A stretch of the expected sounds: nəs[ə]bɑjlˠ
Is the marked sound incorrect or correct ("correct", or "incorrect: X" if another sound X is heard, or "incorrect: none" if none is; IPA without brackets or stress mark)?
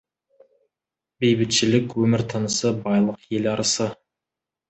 correct